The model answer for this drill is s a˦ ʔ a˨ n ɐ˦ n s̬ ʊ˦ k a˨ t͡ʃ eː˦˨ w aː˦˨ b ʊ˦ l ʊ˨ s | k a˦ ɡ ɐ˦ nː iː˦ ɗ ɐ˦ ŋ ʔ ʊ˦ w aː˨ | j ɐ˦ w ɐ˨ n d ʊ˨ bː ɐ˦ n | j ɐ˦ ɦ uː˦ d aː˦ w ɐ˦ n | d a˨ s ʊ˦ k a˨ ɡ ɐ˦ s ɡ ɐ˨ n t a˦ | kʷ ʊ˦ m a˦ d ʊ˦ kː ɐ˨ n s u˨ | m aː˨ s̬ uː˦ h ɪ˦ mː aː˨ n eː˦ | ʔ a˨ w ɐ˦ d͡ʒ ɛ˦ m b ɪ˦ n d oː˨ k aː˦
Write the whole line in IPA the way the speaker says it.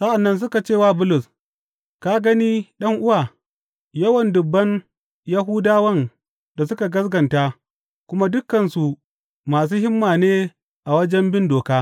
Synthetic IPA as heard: s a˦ ʔ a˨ nː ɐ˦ n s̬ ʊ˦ k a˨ t͡ʃ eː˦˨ w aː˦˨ b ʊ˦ l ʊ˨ s | k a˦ ɡ ɐ˦ n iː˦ ɗ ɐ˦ ŋ ʔ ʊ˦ w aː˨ | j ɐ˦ w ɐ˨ n d ʊ˨ bː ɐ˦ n | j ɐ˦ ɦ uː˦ d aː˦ w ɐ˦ n | d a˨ s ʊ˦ k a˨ ɡ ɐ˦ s ɡ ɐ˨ n t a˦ | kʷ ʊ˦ m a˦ d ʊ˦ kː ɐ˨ n s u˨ | m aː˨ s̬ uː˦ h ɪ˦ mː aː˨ n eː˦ | ʔ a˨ w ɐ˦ d͡ʒ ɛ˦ m b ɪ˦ n d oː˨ k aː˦